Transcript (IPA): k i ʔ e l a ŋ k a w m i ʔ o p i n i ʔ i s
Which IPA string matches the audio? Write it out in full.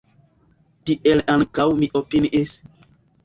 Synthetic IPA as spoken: t i ʔ e l a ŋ k a w m i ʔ o p i n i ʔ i s